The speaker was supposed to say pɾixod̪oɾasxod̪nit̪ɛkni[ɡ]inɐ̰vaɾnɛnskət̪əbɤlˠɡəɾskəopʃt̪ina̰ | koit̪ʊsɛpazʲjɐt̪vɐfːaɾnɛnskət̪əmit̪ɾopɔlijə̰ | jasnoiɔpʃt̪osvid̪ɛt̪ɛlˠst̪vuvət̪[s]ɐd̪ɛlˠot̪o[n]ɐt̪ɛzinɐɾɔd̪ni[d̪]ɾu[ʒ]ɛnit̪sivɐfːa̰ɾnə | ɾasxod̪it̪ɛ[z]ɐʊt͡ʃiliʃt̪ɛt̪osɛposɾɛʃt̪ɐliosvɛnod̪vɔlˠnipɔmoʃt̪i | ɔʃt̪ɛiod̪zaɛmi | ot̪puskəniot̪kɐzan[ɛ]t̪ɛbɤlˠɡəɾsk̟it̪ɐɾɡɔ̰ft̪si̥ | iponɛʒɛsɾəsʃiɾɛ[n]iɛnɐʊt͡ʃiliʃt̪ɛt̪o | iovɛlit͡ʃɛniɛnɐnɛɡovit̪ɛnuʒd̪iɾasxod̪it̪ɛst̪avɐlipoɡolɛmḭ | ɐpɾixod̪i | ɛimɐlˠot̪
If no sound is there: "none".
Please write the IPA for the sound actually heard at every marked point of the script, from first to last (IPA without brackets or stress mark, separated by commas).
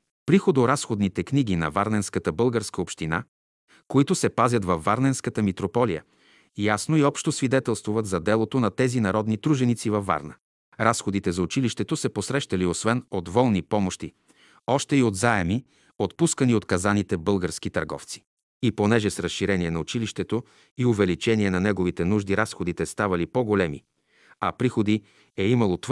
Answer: ɡ, z, n, t̪, ʒ, z, i, n